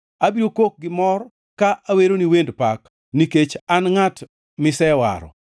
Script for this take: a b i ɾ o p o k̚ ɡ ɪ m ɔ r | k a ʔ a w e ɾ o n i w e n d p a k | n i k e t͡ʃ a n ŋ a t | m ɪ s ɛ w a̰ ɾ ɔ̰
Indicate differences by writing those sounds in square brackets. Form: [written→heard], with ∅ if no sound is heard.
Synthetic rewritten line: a b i ɾ o [p→k] o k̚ ɡ ɪ m ɔ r | k a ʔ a w e ɾ o n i w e n d p a k | n i k e t͡ʃ a n ŋ a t | m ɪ s ɛ w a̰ ɾ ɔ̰

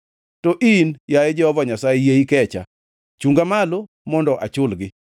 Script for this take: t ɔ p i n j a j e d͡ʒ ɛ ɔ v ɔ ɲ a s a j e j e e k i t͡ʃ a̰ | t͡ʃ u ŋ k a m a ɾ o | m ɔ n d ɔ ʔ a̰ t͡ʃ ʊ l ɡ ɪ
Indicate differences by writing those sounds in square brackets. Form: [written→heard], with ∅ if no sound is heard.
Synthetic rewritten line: t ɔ [p→ʔ] i n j a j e d͡ʒ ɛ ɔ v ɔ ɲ a s a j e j e [e→i] k [i→ɛ] t͡ʃ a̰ | t͡ʃ u ŋ [k→ɡ] a m a [ɾ→l] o | m ɔ n d ɔ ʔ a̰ t͡ʃ ʊ l ɡ ɪ

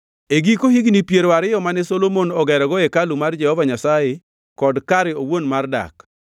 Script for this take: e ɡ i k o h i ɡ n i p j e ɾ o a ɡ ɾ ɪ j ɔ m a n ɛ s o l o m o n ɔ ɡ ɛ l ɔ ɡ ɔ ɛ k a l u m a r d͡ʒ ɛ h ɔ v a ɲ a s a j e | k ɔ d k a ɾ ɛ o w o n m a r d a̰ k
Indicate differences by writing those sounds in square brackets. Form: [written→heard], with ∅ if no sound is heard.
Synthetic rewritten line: e ɡ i k o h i ɡ n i p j e ɾ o a [ɡ→∅] ɾ ɪ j ɔ m a n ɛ s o l o m o n ɔ ɡ ɛ [l→ɾ] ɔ ɡ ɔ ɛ k a l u m a r d͡ʒ ɛ h ɔ v a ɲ a s a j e | k ɔ d k a ɾ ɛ o w o n m a r d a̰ k

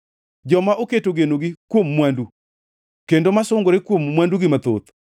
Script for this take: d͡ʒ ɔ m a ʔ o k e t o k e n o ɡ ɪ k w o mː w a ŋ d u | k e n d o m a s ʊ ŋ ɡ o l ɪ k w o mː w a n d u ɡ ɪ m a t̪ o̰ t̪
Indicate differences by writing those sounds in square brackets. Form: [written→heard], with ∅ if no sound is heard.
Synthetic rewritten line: d͡ʒ ɔ m a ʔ o k e t o [k→ɡ] e n o ɡ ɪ k w o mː w a [ŋ→n] d u | k e n d o m a s ʊ ŋ ɡ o [l→ɾ] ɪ k w o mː w a n d u ɡ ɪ m a t̪ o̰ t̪

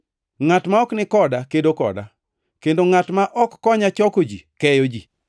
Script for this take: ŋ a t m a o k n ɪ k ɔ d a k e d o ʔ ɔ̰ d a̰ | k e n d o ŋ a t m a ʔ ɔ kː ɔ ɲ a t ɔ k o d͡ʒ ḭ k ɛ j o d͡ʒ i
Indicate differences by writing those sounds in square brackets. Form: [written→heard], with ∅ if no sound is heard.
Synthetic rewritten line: ŋ a t m a [o→ɔ] k n ɪ k ɔ d a k e d o [ʔ→k] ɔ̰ d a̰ | k e n d o ŋ a t m a ʔ ɔ kː ɔ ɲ a [t→t͡ʃ] ɔ k o d͡ʒ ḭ k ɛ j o d͡ʒ i

